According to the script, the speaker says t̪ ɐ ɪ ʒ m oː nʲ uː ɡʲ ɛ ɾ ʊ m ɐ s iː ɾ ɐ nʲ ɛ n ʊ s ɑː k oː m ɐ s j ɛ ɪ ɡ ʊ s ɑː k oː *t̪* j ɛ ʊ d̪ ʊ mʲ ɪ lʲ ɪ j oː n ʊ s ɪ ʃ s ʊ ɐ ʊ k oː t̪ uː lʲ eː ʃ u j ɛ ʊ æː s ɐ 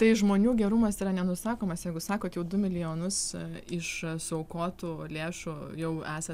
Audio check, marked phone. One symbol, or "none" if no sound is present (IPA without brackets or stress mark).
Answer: t̪